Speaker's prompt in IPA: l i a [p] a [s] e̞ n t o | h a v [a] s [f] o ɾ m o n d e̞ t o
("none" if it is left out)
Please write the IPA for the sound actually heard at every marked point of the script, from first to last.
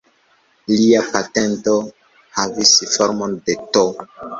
p, t, i, f

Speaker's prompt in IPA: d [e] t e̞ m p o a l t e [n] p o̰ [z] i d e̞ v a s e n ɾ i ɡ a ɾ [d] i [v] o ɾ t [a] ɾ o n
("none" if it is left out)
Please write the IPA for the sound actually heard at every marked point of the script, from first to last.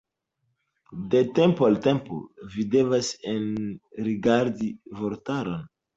e, m, v, d, v, a

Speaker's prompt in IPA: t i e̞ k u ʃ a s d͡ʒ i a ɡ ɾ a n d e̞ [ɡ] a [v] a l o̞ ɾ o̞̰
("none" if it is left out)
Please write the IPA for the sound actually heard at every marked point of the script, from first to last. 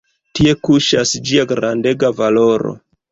ɡ, v

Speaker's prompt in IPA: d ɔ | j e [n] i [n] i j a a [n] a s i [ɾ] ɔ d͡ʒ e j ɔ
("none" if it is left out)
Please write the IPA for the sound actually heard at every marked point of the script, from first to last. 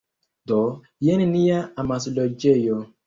n, n, m, l

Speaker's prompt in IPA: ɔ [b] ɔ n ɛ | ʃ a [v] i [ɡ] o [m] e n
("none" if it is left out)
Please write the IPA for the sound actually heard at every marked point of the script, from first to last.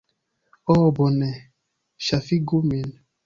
b, f, ɡ, m

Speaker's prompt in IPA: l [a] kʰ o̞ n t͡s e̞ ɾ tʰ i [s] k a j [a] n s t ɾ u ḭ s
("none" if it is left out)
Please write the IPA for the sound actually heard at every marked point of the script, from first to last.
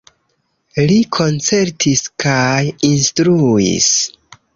i, s, i

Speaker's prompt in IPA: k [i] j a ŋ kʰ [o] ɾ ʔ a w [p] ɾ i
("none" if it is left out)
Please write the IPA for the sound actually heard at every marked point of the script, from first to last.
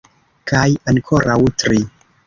a, o, t

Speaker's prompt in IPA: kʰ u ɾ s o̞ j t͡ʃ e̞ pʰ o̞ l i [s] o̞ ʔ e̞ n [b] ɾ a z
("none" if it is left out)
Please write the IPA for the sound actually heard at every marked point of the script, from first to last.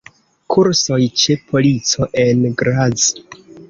t͡s, ɡ

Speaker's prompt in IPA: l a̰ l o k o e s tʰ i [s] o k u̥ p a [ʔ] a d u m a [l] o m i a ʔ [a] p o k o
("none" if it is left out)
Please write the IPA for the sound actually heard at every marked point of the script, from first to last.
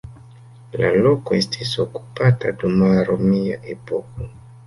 s, t, ɾ, e

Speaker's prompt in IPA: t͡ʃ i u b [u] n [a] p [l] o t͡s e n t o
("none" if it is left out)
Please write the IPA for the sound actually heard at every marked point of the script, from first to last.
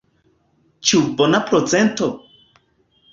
o, a, ɾ

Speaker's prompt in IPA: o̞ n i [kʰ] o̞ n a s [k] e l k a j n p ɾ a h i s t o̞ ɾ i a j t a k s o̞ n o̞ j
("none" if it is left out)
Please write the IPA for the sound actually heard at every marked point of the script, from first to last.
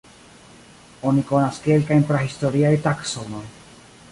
k, k

